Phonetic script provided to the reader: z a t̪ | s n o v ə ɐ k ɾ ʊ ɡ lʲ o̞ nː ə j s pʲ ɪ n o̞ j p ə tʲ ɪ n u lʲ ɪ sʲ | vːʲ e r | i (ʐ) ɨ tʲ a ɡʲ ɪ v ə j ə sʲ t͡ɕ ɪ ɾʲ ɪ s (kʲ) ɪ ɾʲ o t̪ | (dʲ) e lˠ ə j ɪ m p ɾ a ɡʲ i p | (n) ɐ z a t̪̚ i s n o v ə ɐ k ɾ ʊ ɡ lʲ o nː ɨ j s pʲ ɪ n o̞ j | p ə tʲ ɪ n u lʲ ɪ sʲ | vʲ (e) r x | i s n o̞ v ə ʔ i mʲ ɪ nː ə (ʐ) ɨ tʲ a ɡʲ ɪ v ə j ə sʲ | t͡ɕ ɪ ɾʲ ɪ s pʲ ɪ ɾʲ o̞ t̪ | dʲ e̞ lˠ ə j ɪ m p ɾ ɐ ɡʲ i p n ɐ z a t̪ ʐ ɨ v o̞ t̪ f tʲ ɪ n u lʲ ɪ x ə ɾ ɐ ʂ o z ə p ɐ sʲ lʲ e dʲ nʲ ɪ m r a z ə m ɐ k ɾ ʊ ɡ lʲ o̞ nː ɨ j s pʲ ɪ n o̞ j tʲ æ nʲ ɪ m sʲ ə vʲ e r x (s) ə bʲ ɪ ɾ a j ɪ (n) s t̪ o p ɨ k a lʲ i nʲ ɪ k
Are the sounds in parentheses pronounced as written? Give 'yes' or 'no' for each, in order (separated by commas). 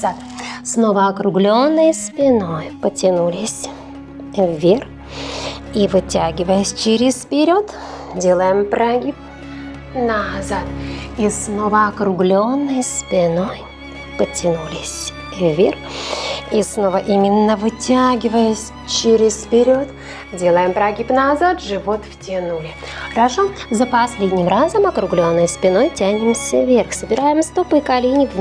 no, no, yes, yes, yes, no, yes, no